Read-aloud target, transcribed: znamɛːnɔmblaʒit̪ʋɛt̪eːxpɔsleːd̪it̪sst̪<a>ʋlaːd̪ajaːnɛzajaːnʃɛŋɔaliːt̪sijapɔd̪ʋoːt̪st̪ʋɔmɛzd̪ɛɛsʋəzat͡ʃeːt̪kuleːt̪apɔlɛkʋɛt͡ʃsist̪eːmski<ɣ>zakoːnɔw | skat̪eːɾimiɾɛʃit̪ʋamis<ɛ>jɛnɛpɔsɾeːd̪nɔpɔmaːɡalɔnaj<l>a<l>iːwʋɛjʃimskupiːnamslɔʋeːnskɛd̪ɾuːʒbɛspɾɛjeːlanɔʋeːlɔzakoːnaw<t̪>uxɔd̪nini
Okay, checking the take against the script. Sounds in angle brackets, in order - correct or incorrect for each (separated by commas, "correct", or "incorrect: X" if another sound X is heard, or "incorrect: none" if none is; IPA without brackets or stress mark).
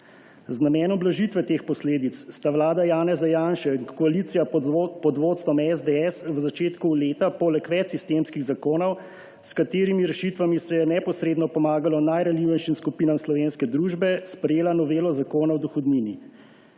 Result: correct, correct, correct, incorrect: ɾ, correct, incorrect: d̪